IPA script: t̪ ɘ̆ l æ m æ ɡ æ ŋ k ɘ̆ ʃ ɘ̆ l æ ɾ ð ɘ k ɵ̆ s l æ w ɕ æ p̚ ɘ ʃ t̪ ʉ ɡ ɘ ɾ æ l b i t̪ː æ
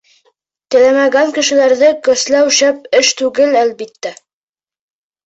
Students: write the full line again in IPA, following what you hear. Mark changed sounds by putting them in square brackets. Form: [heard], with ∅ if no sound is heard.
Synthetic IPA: t̪ ɘ̆ l æ m æ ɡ æ ŋ k ɘ̆ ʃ ɘ̆ l æ ɾ ð ɘ k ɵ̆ s l æ w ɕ æ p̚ ɘ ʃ t̪ ʉ ɡ ɘ [l] æ l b i t̪ː æ